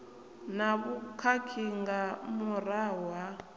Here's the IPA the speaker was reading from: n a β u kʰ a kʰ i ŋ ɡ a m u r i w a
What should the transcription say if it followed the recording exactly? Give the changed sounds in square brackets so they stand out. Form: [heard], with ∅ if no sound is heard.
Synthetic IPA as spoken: n a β u kʰ a kʰ i ŋ ɡ a m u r [a] w a